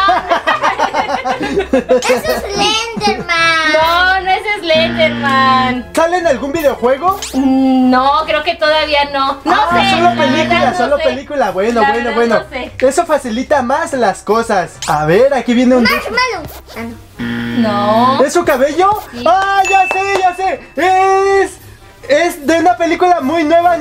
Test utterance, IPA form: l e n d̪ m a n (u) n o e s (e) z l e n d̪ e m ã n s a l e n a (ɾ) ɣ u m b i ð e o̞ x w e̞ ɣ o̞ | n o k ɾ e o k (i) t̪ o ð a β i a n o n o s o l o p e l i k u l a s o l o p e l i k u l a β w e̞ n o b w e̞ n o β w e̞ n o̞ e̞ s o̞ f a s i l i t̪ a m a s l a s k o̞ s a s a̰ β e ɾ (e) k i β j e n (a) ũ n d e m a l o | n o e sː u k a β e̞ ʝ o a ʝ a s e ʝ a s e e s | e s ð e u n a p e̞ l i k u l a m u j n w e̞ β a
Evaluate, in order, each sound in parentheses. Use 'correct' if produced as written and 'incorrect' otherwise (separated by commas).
incorrect, correct, incorrect, incorrect, incorrect, incorrect